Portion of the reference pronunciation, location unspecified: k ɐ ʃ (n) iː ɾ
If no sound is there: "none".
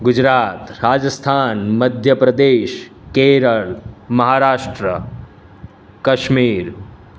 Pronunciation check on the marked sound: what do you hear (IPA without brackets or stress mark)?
m